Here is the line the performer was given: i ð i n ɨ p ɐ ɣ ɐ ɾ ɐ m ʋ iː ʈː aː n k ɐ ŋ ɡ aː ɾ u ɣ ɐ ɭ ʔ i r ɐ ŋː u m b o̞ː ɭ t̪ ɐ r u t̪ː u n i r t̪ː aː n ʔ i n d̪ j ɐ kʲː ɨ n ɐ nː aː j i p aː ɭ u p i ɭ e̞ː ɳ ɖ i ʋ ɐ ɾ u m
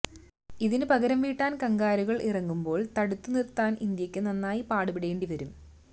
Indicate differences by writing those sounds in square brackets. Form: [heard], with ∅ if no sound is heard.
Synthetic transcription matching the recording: i ð i n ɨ p ɐ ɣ ɐ ɾ ɐ m ʋ iː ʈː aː n k ɐ ŋ ɡ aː ɾ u ɣ ɐ ɭ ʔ i r ɐ ŋː u m b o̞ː ɭ t̪ ɐ [ɽ] u t̪ː u n i r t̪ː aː n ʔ i n d̪ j ɐ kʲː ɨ n ɐ nː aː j i p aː [ɽ] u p i [ɽ] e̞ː ɳ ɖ i ʋ ɐ ɾ u m